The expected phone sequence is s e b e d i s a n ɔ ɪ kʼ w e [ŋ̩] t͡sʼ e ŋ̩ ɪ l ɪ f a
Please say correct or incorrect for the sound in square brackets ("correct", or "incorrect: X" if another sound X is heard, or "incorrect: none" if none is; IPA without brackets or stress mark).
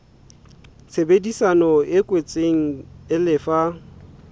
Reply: incorrect: none